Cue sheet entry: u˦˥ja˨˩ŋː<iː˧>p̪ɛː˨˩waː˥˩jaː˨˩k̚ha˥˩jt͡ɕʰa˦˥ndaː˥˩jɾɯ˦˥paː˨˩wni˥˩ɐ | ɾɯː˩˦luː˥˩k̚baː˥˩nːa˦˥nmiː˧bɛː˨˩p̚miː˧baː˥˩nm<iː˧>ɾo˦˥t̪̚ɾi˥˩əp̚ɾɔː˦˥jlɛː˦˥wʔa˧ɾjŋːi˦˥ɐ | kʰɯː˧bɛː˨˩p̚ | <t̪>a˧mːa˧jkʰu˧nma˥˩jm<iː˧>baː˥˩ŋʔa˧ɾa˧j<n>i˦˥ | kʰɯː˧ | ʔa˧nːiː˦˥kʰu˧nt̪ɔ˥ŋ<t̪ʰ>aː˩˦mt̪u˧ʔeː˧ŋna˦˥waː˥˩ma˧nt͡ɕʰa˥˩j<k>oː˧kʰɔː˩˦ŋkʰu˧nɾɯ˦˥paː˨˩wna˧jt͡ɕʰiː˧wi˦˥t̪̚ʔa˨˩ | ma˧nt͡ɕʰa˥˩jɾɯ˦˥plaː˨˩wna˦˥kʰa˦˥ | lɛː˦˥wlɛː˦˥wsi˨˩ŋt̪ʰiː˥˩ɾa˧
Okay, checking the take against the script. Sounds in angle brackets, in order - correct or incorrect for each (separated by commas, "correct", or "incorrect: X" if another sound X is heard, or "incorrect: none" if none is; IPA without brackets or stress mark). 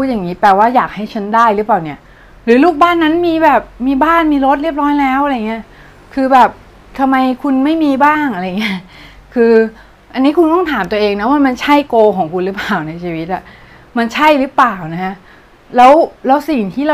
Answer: incorrect: iː˦˥, correct, incorrect: t̪ʰ, correct, incorrect: ŋ, correct, correct